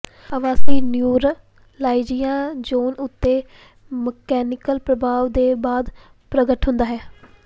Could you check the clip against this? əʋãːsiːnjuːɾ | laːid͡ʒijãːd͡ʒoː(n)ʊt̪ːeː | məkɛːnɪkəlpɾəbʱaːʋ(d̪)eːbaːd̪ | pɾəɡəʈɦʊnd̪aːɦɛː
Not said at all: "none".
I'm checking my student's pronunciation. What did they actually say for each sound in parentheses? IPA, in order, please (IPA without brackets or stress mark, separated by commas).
n, d̪